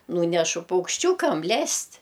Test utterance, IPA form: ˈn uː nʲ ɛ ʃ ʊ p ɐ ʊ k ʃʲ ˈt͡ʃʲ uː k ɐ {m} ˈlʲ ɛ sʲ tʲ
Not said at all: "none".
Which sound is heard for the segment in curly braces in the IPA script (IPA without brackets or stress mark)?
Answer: m